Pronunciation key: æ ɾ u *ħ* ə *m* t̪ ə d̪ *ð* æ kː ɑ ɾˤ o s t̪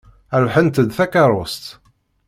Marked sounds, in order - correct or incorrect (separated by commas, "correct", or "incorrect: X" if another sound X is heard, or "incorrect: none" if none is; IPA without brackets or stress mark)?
correct, incorrect: n, incorrect: θ